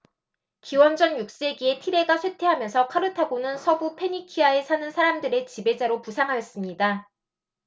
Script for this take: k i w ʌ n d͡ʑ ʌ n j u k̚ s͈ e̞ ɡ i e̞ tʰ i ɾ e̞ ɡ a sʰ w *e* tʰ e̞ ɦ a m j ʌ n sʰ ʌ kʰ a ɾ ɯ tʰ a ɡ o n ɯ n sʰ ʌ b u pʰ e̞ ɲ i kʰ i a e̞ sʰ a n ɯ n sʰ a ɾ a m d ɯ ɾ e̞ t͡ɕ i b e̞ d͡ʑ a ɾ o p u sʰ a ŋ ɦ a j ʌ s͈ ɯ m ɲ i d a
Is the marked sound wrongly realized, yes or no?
no